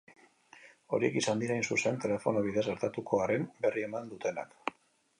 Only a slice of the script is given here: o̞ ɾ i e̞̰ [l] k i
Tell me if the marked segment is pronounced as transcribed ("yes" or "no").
no